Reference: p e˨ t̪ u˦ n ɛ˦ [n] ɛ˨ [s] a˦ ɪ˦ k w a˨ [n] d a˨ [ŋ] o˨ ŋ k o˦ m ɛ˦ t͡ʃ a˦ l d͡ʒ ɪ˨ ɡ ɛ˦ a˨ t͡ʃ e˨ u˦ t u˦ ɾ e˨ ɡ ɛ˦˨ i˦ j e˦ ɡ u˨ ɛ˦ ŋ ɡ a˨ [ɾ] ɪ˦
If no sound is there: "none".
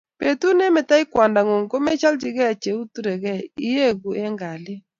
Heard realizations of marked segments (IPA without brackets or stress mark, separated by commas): m, t, n, ŋ, l